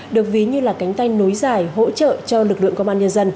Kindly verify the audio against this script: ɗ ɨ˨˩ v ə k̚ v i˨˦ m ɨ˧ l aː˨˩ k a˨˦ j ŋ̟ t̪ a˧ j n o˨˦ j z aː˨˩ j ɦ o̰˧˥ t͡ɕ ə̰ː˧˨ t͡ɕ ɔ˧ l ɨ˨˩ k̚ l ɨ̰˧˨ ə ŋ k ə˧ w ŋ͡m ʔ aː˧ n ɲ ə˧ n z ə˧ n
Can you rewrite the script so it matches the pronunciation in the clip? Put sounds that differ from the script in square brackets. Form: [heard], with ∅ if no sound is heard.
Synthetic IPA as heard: ɗ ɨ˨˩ [∅] ə k̚ v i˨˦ [ɲ] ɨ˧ l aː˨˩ k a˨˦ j ŋ̟ t̪ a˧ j n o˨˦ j z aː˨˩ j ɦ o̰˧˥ t͡ɕ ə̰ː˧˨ t͡ɕ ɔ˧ l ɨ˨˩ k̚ l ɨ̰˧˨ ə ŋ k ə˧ w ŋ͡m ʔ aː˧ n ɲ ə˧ n z ə˧ n